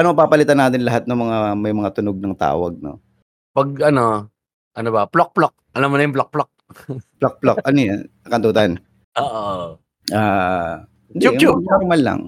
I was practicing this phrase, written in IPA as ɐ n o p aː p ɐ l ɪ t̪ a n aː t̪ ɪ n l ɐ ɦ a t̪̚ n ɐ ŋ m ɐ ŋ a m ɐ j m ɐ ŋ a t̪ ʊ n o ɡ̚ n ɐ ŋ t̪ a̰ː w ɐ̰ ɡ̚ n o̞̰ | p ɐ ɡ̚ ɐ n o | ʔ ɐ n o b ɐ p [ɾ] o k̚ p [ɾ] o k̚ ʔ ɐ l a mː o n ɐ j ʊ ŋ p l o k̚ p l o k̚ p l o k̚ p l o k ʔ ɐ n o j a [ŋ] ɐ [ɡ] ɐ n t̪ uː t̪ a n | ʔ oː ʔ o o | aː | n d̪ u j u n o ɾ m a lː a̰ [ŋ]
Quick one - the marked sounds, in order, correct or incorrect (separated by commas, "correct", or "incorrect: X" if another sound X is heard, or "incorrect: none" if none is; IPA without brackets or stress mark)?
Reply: incorrect: l, incorrect: l, incorrect: n, incorrect: k, correct